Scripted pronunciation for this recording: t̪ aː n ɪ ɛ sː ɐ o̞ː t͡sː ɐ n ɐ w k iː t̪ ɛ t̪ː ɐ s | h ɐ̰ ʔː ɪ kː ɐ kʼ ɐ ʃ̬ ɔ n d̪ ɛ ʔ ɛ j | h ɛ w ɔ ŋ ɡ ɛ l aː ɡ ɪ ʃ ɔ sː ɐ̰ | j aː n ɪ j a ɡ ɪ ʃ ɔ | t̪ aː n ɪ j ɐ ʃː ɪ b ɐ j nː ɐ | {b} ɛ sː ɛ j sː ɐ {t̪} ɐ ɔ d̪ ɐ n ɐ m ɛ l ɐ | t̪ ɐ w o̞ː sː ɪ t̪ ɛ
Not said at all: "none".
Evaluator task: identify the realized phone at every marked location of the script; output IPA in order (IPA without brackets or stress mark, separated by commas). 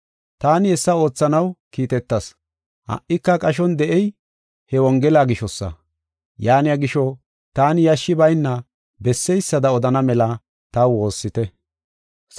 b, d̪